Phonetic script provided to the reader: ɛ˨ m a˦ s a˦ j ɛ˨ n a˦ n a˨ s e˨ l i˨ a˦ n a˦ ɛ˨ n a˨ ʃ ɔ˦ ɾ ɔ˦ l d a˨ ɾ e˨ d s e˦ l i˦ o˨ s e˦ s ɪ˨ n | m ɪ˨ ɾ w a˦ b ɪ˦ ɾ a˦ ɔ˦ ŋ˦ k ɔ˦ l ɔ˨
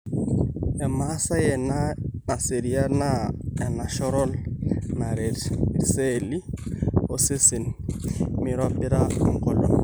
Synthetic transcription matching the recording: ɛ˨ m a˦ s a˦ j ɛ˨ n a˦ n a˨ s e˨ ɾ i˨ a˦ n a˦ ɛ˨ n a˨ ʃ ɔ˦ ɾ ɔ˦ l n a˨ ɾ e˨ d s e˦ l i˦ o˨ s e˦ s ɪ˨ n | m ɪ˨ ɾ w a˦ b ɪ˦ ɾ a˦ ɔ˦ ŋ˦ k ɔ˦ l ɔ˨